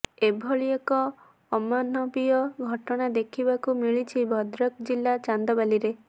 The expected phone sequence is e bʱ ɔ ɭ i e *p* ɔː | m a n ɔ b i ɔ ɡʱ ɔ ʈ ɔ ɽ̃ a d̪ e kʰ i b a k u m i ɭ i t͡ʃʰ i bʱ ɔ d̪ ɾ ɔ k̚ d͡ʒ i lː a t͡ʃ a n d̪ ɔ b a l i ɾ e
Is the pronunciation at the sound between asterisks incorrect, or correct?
incorrect